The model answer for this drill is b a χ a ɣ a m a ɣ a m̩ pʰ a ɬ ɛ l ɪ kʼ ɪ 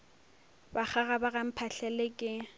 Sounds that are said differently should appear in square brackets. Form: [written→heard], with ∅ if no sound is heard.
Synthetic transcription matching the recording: b a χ a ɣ a [m→b] a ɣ a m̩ pʰ a ɬ ɛ l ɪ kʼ ɪ